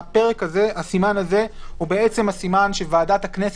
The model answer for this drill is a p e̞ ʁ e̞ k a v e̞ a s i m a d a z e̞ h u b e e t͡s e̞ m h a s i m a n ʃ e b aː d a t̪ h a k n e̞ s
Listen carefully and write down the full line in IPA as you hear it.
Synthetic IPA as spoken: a p e̞ ʁ e̞ k a z e̞ a s i m a n a z e̞ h u b e e t͡s e̞ m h a s i m a n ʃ e v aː d a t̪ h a k n e̞ s